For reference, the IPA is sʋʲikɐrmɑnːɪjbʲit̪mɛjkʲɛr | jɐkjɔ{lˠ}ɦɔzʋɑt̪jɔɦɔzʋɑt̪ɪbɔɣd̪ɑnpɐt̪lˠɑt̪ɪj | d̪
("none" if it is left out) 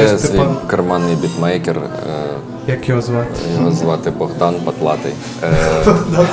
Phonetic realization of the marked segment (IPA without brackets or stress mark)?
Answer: none